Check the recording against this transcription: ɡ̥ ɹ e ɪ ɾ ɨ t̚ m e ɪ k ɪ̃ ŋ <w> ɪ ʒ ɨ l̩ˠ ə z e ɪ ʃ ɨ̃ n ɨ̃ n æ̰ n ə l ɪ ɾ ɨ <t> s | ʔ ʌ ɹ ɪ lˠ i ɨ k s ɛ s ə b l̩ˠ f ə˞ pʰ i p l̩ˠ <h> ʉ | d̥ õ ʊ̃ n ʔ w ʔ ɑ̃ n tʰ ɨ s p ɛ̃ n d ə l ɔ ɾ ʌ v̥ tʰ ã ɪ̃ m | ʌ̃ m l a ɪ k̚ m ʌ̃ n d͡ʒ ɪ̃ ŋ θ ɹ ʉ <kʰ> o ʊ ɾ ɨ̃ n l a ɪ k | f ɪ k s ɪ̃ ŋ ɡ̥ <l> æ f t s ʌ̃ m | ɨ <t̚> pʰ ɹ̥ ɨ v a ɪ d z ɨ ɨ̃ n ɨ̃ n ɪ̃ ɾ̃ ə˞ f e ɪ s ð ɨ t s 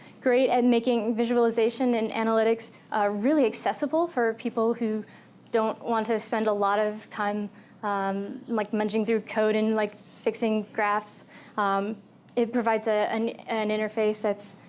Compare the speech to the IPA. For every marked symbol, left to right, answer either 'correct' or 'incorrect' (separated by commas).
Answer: incorrect, incorrect, correct, correct, incorrect, correct